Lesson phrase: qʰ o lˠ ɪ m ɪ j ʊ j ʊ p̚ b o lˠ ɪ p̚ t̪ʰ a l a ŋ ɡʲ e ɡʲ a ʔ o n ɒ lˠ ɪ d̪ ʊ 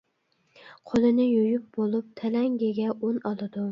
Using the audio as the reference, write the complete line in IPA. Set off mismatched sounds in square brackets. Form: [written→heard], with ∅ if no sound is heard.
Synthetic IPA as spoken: qʰ o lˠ ɪ [m→n] ɪ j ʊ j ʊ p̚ b o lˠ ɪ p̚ t̪ʰ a l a ŋ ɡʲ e ɡʲ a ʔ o n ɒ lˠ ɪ d̪ ʊ

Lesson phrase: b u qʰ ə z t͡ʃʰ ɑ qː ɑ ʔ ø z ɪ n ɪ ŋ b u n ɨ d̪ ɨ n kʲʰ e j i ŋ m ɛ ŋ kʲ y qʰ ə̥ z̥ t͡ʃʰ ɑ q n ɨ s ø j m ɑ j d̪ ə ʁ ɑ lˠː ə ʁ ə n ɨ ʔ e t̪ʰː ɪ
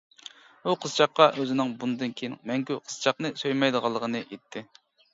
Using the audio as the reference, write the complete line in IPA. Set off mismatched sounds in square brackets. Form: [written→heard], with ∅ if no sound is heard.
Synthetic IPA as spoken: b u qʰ ə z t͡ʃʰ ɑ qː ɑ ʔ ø z ɪ n ɪ ŋ b u n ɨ d̪ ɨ n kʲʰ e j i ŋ m ɛ ŋ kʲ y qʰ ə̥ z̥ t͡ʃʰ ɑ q n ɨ s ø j m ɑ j d̪ ə ʁ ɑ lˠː ə ʁ ə n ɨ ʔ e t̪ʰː ɪ

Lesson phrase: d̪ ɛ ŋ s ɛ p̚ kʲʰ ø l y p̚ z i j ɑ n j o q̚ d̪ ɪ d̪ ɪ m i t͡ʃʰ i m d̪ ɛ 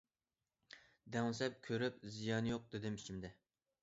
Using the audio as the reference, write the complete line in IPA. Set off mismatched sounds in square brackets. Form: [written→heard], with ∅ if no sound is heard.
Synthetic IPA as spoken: d̪ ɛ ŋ s ɛ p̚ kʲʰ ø [l→ɾ] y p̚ z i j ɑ n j o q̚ d̪ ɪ d̪ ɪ m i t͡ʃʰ i m d̪ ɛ

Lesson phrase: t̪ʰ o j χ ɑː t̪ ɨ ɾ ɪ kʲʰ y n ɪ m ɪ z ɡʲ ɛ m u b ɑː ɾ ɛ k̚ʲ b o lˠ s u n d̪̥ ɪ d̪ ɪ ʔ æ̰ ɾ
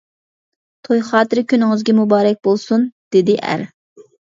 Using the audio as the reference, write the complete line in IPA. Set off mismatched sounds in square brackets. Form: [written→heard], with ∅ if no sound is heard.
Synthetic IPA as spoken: t̪ʰ o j χ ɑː t̪ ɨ ɾ ɪ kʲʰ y n ɪ [m→ŋ] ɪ z ɡʲ ɛ m u b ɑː ɾ ɛ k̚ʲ b o lˠ s u n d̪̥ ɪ d̪ ɪ ʔ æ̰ ɾ

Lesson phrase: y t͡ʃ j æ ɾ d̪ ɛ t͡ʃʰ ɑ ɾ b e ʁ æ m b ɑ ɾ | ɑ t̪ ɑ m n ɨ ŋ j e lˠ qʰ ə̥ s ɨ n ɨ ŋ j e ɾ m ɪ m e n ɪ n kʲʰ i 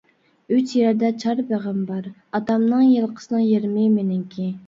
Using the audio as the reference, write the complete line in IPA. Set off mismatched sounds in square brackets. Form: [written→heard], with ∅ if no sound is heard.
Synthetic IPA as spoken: y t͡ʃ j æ ɾ d̪ ɛ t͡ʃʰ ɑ ɾ b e ʁ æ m b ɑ ɾ | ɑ t̪ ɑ m n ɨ ŋ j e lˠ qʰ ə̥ s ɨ n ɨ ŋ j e ɾ m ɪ m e n ɪ [n→ŋ] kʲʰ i

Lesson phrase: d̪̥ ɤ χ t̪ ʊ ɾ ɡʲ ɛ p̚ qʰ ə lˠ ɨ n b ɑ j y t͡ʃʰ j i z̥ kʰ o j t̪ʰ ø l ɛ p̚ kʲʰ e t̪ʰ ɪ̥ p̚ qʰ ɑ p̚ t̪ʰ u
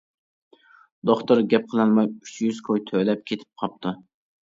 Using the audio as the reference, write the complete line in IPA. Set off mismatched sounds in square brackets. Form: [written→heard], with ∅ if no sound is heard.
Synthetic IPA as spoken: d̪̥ [ɤ→o] χ t̪ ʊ ɾ ɡʲ ɛ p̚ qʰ ə lˠ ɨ n [b→m] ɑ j y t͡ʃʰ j [i→y] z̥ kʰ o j t̪ʰ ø l ɛ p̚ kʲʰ e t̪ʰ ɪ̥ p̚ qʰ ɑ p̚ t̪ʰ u

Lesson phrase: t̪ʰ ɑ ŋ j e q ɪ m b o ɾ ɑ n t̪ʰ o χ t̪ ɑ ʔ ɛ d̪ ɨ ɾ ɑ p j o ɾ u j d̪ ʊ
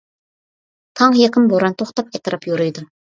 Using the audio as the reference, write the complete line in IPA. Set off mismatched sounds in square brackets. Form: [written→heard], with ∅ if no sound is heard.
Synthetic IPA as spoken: t̪ʰ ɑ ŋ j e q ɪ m b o ɾ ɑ n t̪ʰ o χ t̪ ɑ [ʔ→p] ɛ [d̪→t̪] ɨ ɾ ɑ p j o ɾ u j d̪ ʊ

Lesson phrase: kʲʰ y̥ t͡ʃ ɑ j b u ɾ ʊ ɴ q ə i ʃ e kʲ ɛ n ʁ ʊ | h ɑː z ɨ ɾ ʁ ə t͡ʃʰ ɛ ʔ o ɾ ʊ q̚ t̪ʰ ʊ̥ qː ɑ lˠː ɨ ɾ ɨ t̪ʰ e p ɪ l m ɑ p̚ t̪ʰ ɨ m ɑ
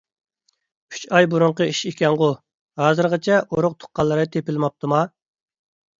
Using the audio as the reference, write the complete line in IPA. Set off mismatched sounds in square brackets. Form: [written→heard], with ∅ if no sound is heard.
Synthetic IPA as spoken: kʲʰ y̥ t͡ʃ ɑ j b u ɾ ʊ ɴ q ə i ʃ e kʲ ɛ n ʁ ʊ | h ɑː z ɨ ɾ ʁ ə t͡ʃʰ ɛ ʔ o ɾ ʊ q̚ t̪ʰ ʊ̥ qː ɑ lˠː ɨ ɾ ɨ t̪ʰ e p ɪ l m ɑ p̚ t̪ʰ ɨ m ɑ

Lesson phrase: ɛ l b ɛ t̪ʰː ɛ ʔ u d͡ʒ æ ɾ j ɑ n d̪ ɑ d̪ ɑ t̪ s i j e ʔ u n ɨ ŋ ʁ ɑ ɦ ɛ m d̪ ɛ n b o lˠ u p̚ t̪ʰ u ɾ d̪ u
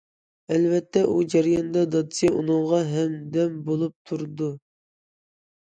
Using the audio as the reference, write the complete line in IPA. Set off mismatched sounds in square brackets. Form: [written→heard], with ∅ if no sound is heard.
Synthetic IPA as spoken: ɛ l [b→v] ɛ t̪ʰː ɛ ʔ u d͡ʒ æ ɾ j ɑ n d̪ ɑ d̪ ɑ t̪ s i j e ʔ u n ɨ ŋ ʁ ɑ ɦ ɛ m d̪ ɛ [n→m] b o lˠ u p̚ t̪ʰ u ɾ d̪ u

